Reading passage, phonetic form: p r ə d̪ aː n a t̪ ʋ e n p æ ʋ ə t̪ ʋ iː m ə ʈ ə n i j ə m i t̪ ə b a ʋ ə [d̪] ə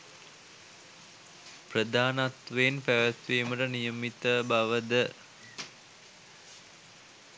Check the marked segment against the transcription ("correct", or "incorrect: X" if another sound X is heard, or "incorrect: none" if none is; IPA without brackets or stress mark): correct